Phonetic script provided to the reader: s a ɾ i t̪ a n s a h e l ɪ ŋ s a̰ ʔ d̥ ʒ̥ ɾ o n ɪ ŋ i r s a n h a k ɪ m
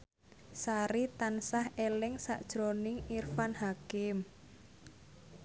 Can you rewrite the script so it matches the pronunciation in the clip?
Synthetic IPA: s a ɾ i t̪ a n s a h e l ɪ ŋ s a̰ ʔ d̥ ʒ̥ ɾ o n ɪ ŋ i r f a n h a k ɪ m